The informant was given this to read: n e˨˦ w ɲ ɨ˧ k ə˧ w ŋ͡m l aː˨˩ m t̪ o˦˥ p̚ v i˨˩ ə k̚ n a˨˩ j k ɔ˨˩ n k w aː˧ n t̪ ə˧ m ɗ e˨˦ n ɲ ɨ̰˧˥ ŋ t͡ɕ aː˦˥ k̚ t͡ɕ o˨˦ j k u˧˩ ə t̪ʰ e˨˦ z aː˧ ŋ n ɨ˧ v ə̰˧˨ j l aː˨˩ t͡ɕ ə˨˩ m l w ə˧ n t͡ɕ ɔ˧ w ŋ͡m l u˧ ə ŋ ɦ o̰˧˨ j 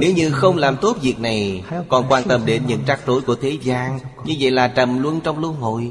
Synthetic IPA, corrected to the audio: n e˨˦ w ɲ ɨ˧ x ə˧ w ŋ͡m l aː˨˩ m t̪ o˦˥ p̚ v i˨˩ ə k̚ n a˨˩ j k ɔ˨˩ n k w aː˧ n t̪ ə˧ m ɗ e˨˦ n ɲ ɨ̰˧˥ ŋ t͡ɕ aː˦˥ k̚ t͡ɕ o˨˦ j k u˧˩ ə t̪ʰ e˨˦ z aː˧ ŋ ɲ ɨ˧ v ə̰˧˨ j l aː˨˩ t͡ɕ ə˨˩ m l w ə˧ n t͡ɕ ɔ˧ w ŋ͡m l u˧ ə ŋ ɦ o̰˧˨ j